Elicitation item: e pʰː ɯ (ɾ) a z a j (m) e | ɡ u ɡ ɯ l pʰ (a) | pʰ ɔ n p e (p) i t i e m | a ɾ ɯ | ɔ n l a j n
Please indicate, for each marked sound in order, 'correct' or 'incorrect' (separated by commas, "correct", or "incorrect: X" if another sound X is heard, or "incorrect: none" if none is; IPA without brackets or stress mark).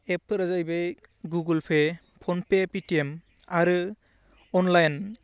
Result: correct, incorrect: b, incorrect: e, correct